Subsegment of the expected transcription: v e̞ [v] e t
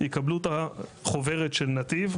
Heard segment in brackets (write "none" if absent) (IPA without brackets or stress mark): ʁ